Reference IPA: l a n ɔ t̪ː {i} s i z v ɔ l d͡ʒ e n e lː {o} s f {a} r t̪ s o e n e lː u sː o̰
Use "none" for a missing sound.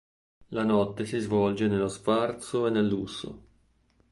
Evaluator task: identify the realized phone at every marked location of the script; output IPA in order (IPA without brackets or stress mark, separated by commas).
e, o, a